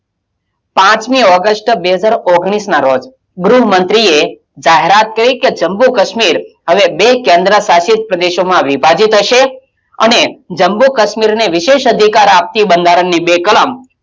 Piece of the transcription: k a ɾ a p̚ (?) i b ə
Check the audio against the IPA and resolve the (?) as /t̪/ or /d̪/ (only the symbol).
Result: t̪